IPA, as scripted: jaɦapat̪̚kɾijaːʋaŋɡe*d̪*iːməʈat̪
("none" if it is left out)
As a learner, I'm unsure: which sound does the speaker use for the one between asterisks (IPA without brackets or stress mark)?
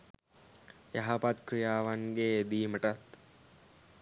d̪